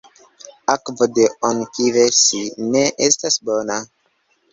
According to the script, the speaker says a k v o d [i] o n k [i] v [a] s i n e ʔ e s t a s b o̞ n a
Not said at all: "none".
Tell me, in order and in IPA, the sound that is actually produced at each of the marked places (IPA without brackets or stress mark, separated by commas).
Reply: e, i, e